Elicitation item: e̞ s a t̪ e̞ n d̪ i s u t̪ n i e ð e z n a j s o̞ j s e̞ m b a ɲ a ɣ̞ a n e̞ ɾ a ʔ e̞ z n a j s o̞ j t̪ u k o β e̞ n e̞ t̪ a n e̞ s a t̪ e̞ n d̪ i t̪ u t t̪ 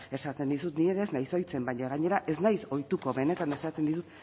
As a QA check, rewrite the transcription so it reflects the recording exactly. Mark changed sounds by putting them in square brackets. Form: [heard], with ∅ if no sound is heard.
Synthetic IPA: e̞ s a t̪ e̞ n d̪ i s u t̪ n i e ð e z n a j s o̞ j [t͡s] e̞ m b a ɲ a ɣ̞ a [ɲ] e̞ ɾ a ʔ e̞ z n a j s o̞ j t̪ u k o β e̞ n e̞ t̪ a n e̞ s a t̪ e̞ n d̪ i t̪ u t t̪

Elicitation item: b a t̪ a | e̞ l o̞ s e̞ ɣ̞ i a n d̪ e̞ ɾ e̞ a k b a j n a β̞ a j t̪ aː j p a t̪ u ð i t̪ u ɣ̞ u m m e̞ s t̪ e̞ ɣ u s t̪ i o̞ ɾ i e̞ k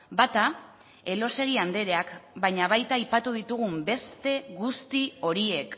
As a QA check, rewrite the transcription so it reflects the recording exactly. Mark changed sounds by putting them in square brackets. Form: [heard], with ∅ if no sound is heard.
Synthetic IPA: b a t̪ a | e̞ l o̞ s e̞ ɣ̞ i a n d̪ e̞ ɾ e̞ a k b a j [ɲ] a β̞ a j t̪ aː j p a t̪ u ð i t̪ u ɣ̞ u m [b] e̞ s t̪ e̞ ɣ u s t̪ i o̞ ɾ i e̞ k

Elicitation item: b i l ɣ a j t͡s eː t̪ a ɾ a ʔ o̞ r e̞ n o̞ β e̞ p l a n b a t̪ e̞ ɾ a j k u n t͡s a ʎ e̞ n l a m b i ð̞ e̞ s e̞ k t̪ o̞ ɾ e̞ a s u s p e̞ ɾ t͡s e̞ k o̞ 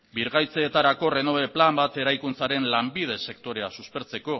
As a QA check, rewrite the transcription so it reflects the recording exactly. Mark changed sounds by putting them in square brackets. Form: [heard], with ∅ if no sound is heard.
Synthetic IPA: b i [ɾ] ɣ a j t͡s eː t̪ a ɾ a [k] o̞ r e̞ n o̞ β e̞ p l a [m] b a t̪ e̞ ɾ a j k u n t͡s a [ɾ] e̞ n l a m b i ð̞ e̞ s e̞ k t̪ o̞ ɾ e̞ a s u s p e̞ ɾ t͡s e̞ k o̞

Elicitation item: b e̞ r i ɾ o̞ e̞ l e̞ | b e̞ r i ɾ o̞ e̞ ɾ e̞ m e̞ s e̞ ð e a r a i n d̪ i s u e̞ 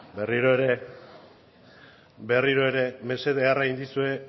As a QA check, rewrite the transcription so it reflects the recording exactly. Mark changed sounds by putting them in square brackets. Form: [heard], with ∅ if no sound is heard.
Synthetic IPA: b e̞ r i ɾ o̞ e̞ [ɾ] e̞ | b e̞ r i ɾ o̞ e̞ ɾ e̞ m e̞ s e̞ ð e a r a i n d̪ i s u e̞

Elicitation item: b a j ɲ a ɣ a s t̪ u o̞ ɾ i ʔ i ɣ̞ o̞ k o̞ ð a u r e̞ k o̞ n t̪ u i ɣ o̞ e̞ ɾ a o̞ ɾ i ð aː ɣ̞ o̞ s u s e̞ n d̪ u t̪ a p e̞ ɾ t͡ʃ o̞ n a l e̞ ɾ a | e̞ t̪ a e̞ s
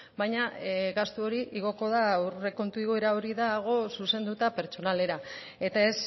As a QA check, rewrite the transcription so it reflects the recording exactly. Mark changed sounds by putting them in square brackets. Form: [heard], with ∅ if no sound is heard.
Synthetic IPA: b a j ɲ a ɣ a s t̪ u o̞ ɾ i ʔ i ɣ̞ o̞ k o̞ ð a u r e̞ k o̞ n t̪ u i ɣ o̞ e̞ ɾ a o̞ ɾ i ð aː ɣ̞ o̞ s u s e̞ n d̪ u t̪ a p e̞ ɾ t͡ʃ o̞ n a l e̞ ɾ a | e̞ t̪ a e̞ s

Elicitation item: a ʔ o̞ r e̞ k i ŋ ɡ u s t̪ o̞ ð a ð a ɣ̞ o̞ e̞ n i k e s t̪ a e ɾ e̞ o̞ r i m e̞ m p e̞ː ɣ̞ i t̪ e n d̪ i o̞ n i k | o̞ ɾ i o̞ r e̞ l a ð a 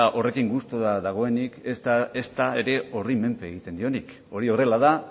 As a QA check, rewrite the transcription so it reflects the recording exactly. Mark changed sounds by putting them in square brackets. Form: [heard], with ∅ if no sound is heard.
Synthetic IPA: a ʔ o̞ r e̞ k i ŋ ɡ u s t̪ o̞ ð a ð a ɣ̞ o̞ e̞ n i k e s t̪ a e ɾ e̞ o̞ r i m e̞ m p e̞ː ɣ̞ i t̪ e n d̪ i o̞ n i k | o̞ ɾ i o̞ r e̞ l a ð a

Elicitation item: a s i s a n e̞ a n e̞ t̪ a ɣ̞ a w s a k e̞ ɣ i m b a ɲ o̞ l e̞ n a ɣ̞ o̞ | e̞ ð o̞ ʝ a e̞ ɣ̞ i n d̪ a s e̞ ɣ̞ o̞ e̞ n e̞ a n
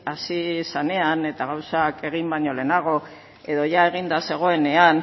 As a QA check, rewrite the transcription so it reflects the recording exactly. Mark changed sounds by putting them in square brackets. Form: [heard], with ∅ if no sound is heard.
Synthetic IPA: a s i s a n e̞ a n e̞ t̪ a ɣ̞ a w s a k e̞ ɣ i m b a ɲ o̞ l e̞ n a ɣ̞ o̞ | e̞ ð o̞ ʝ a e̞ ɣ̞ i n d̪ a s e̞ ɣ̞ o̞ e̞ n e̞ a n

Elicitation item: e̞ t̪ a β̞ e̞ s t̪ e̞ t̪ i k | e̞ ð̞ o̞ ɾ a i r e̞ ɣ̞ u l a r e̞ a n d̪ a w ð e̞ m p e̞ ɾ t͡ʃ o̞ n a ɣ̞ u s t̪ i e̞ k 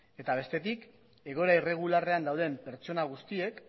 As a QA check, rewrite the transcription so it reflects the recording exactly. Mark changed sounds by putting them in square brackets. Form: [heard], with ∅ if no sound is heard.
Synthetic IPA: e̞ t̪ a β̞ e̞ s t̪ e̞ t̪ i k | e̞ [ɣ̞] o̞ ɾ a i r e̞ ɣ̞ u l a r e̞ a n d̪ a w ð e̞ m p e̞ ɾ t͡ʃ o̞ n a ɣ̞ u s t̪ i e̞ k

